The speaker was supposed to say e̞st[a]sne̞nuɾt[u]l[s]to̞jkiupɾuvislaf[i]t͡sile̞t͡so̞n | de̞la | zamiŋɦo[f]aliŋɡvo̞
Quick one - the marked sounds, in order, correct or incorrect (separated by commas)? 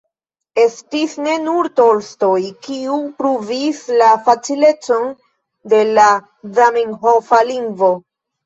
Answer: incorrect, incorrect, correct, incorrect, correct